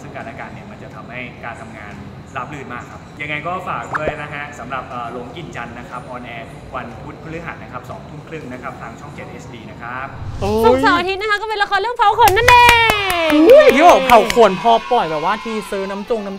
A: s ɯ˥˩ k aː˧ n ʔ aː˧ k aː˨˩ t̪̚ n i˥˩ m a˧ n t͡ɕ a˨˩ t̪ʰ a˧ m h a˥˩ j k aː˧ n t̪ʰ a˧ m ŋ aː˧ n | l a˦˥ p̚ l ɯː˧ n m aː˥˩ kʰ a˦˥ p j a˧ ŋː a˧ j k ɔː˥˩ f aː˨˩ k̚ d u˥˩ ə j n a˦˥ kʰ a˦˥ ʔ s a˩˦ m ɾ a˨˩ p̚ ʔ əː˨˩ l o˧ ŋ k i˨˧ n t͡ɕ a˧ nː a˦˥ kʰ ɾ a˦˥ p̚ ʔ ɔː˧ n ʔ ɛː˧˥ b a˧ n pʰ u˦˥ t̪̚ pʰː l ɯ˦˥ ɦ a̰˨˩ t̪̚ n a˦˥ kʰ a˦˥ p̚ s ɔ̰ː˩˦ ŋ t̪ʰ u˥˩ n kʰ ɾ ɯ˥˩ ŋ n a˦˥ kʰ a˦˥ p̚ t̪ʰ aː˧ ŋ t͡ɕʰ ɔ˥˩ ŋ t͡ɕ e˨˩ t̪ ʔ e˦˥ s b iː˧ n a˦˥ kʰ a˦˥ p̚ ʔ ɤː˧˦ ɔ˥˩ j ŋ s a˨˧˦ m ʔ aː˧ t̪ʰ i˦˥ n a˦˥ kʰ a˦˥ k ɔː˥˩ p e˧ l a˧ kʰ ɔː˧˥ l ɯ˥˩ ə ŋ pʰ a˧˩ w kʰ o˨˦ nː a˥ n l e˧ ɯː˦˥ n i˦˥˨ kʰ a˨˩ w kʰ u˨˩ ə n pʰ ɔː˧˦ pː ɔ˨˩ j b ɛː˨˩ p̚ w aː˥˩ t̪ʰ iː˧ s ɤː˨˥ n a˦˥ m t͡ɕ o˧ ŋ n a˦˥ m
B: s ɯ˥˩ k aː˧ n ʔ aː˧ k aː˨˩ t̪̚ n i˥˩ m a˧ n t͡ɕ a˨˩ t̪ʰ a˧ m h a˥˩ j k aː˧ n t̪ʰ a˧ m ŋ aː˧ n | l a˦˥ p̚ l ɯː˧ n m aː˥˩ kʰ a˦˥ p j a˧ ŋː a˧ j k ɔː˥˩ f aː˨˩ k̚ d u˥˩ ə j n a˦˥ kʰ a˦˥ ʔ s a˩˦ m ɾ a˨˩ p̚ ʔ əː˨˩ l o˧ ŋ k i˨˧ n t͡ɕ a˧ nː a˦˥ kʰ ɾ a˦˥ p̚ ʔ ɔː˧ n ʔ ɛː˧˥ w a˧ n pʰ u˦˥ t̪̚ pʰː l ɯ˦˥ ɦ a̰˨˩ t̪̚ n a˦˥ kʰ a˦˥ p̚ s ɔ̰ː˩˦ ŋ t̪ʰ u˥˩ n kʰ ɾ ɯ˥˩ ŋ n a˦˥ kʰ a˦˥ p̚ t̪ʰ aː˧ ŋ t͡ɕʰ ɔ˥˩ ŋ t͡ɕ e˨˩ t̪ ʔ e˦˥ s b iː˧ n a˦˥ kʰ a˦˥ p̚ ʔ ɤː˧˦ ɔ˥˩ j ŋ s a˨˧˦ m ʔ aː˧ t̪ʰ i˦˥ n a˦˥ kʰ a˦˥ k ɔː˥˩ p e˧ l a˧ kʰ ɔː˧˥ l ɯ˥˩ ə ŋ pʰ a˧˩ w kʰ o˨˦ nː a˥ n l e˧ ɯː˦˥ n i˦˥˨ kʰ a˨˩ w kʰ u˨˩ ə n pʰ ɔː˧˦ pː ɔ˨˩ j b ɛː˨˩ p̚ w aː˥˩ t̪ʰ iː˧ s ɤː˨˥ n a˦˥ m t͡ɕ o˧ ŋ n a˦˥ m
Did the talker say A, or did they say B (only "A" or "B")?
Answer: B